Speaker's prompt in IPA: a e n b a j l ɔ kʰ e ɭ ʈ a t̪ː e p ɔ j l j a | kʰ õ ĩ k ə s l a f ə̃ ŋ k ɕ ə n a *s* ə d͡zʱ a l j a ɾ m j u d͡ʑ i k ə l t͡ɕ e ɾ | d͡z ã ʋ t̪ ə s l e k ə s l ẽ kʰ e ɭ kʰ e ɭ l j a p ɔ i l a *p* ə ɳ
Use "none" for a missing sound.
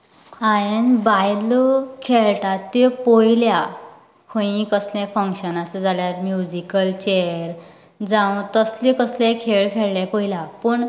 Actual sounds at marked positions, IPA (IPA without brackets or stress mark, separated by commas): s, p